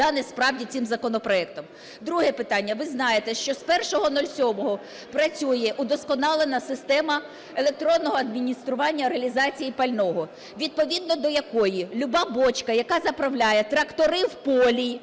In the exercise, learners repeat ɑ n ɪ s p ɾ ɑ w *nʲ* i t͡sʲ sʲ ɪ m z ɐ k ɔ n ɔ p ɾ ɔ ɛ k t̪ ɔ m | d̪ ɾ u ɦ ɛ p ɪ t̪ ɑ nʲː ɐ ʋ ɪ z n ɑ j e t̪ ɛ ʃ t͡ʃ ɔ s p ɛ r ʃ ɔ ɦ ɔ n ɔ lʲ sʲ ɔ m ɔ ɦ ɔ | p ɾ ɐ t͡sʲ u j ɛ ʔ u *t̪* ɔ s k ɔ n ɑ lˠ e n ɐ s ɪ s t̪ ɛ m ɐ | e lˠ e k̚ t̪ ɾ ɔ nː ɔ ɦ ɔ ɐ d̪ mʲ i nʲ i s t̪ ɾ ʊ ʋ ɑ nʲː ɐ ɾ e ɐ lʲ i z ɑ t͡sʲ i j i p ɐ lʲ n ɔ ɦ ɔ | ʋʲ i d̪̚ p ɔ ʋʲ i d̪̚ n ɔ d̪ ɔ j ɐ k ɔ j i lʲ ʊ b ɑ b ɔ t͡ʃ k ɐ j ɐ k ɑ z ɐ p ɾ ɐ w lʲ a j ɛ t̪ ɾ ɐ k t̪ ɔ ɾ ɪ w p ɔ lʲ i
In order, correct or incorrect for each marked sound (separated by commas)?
incorrect, incorrect